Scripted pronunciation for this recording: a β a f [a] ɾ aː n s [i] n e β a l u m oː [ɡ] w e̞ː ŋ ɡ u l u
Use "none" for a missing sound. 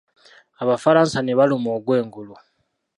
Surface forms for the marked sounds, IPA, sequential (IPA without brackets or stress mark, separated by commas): a, a, ɡ